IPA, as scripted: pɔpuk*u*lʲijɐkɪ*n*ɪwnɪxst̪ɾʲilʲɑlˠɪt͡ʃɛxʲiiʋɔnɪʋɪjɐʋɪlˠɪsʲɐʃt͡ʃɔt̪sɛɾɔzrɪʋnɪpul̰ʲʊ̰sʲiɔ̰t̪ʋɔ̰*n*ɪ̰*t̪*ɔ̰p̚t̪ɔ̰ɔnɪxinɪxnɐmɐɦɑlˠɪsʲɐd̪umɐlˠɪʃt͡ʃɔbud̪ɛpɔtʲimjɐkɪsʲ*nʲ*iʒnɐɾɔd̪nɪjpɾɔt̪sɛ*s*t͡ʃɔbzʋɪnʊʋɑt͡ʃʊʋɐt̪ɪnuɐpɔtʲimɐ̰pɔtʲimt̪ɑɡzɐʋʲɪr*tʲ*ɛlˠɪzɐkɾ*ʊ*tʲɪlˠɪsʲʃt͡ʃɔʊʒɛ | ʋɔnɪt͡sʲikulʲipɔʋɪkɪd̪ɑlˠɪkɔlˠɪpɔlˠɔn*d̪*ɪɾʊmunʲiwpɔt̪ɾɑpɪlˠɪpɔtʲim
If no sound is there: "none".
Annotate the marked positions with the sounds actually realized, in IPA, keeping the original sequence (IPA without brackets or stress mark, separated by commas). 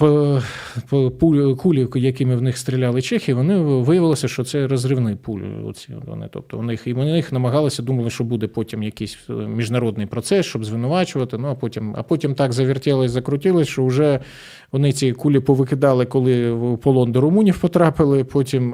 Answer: u, m, n, t̪, mʲ, s, tʲ, ʊ, d̪